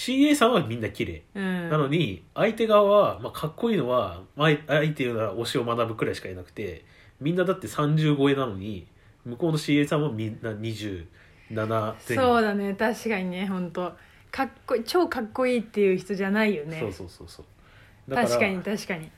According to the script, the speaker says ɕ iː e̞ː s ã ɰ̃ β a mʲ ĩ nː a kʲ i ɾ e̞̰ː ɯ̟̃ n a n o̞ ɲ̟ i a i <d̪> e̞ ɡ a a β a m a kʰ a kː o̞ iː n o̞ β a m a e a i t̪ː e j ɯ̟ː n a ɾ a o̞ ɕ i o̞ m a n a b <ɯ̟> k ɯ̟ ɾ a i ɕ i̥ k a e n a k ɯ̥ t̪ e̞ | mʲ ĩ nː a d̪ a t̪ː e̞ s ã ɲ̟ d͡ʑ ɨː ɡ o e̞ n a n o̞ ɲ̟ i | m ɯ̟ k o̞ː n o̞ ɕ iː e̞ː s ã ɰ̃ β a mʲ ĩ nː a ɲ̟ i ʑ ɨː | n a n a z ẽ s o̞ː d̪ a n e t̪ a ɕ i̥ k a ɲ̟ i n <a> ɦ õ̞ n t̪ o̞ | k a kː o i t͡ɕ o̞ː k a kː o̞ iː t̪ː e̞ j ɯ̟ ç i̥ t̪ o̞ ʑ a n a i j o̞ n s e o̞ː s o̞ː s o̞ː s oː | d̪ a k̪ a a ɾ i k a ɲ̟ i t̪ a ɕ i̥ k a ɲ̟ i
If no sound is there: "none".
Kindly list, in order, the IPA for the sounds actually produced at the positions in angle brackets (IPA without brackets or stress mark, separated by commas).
t̪, ɯ̟, e